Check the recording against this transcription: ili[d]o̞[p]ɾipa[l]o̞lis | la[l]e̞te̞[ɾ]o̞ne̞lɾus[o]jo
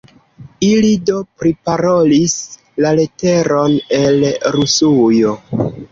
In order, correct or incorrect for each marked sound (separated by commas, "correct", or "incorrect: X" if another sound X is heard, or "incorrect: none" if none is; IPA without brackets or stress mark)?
correct, correct, incorrect: ɾ, correct, correct, incorrect: u